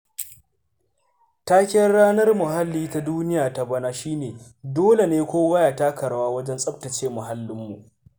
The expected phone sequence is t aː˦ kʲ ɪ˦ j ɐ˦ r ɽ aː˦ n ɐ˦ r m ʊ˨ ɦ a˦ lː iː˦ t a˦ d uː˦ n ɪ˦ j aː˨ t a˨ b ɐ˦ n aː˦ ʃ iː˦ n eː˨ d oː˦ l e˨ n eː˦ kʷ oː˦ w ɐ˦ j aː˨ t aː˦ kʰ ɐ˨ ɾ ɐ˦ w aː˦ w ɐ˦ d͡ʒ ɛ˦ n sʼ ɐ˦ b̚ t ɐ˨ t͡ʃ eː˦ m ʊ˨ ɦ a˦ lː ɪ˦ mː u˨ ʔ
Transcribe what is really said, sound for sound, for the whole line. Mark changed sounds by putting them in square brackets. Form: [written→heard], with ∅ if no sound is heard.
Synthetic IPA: t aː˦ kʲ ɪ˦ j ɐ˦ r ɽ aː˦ n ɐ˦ r m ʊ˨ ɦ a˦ lː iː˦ t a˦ d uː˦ n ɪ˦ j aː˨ t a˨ b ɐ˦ n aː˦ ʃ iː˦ n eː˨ d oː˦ l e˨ n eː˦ kʷ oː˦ w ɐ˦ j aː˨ t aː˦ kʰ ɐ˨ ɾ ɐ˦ w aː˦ w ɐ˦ d͡ʒ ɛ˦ n sʼ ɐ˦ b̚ t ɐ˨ t͡ʃ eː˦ m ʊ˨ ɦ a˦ lː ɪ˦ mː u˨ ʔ